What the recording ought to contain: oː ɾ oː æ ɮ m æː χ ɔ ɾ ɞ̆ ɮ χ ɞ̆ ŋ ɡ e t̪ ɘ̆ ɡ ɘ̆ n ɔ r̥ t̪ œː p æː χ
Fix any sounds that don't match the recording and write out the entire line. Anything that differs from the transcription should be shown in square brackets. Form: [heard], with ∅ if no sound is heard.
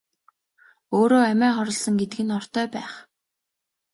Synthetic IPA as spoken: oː ɾ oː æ [∅] m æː χ ɔ ɾ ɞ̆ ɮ [s] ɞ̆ ŋ ɡ e t̪ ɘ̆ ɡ ɘ̆ n ɔ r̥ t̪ œː p æː χ